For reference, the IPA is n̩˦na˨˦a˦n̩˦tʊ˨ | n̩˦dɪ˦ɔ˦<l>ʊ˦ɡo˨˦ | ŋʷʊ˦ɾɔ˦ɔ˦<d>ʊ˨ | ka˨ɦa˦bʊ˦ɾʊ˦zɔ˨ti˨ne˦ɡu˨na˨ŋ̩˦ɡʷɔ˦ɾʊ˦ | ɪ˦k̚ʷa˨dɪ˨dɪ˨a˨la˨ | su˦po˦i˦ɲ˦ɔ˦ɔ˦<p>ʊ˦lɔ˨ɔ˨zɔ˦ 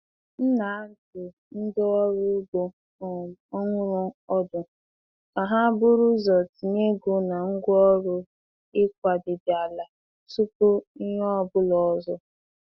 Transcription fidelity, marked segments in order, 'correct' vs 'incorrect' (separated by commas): incorrect, correct, incorrect